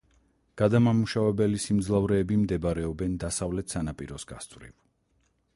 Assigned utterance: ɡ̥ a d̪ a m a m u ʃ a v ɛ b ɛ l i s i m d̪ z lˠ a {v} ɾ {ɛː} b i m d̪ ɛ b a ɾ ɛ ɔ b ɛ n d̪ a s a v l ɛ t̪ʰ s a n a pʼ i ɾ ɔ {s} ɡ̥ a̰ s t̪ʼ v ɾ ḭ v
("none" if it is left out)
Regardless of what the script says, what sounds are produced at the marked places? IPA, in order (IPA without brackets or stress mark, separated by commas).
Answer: v, ɛː, s